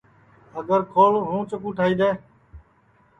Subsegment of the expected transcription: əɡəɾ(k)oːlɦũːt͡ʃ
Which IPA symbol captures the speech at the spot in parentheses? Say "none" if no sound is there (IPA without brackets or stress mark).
kʰ